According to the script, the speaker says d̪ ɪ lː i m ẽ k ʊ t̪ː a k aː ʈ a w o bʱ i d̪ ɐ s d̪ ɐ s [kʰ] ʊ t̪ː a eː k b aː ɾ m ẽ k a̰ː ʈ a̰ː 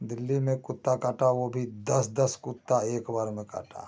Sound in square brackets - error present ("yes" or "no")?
yes